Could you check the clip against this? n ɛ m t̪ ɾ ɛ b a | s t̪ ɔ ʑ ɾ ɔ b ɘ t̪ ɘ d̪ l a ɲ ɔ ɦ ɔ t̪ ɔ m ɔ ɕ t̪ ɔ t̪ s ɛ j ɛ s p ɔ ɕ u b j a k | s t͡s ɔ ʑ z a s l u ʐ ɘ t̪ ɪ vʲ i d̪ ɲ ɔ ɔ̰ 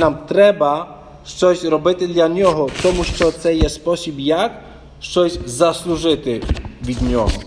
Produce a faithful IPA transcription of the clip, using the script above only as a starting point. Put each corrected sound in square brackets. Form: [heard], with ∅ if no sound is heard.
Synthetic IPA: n [a] m t̪ ɾ ɛ b a | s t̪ ɔ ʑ ɾ ɔ b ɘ t̪ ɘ d̪ l a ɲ ɔ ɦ ɔ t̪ ɔ m [u] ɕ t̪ ɔ t̪ s ɛ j ɛ s p ɔ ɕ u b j a k | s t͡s ɔ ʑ z a s l u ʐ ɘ t̪ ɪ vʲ i d̪ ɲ ɔ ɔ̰